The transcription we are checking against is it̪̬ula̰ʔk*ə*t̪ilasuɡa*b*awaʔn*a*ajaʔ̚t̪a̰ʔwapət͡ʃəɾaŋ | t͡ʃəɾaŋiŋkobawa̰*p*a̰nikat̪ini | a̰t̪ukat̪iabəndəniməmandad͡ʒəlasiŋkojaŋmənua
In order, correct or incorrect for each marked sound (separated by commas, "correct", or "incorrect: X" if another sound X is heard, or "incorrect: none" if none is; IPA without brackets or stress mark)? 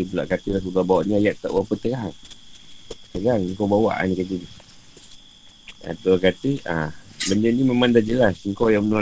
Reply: incorrect: a, correct, incorrect: i, incorrect: ʔ